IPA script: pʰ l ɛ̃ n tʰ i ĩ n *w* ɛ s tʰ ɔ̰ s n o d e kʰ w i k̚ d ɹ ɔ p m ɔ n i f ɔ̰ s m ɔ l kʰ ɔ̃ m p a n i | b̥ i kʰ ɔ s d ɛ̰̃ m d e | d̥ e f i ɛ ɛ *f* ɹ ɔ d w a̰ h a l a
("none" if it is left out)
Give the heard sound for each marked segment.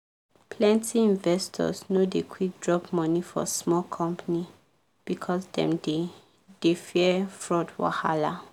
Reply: v, f

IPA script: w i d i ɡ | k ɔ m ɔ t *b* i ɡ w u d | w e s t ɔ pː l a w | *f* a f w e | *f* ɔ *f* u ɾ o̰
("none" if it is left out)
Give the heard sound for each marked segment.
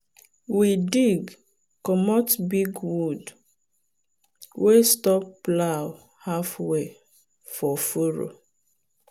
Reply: b, h, f, f

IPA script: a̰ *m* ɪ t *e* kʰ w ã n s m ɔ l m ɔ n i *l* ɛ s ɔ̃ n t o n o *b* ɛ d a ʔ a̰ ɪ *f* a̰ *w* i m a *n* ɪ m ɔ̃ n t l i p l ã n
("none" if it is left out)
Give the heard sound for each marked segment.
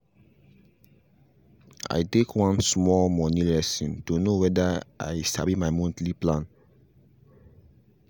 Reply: none, e, l, w, s, b, none

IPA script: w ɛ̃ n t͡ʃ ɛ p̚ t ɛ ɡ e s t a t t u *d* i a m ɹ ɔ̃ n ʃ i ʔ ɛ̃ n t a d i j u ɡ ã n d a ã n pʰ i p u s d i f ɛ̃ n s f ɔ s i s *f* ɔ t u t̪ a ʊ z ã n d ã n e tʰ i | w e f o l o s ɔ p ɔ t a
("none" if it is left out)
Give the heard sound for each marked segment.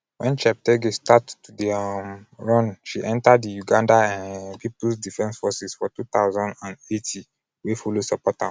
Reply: d, f

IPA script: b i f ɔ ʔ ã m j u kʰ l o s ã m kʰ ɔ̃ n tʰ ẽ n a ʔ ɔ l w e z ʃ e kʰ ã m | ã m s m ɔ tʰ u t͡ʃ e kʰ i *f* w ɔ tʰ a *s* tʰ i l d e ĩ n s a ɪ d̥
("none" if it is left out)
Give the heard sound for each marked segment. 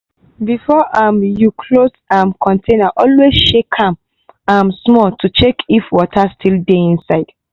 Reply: f, s

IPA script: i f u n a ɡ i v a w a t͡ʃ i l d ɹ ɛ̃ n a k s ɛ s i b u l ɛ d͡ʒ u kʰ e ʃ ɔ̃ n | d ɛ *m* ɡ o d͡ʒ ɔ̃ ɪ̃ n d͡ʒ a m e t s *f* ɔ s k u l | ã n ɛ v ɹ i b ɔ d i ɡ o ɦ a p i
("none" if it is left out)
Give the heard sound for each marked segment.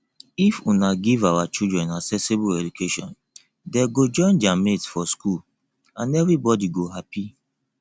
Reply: none, f

